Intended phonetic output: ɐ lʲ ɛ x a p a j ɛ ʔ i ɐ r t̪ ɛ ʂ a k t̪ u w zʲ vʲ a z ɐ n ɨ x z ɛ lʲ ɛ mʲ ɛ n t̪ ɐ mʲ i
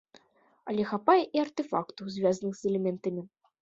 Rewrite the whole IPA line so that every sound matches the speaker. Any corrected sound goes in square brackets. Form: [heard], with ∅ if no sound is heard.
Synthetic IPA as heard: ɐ lʲ ɛ x a p a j ɛ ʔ i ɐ r t̪ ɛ [f] a k t̪ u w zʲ vʲ a z ɐ n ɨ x z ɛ lʲ ɛ mʲ ɛ n t̪ ɐ mʲ i